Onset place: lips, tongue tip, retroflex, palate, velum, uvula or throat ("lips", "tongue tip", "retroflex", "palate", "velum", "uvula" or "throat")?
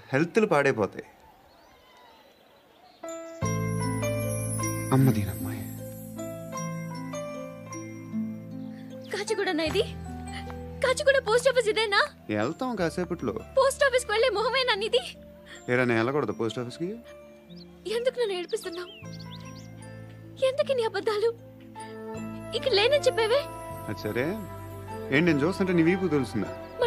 throat